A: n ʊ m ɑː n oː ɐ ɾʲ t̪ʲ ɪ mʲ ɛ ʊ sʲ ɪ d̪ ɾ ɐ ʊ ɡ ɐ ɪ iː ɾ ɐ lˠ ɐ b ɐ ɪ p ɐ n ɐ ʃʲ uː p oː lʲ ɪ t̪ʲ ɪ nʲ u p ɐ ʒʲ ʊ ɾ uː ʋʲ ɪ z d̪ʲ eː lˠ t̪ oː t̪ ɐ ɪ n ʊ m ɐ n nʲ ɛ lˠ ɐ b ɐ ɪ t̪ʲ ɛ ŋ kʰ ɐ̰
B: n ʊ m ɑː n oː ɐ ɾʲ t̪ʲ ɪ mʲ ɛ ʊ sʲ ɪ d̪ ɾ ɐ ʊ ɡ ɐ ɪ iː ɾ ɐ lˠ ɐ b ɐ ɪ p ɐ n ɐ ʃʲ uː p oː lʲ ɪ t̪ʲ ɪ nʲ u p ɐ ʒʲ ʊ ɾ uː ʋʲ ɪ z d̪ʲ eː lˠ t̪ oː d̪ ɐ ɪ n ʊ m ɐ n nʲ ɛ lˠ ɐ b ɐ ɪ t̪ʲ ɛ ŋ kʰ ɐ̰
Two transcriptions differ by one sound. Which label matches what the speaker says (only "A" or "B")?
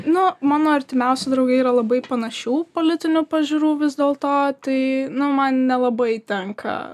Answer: A